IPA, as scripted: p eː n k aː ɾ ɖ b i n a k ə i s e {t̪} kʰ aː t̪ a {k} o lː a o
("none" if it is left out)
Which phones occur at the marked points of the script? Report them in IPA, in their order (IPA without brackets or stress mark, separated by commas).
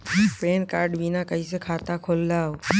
none, kʰ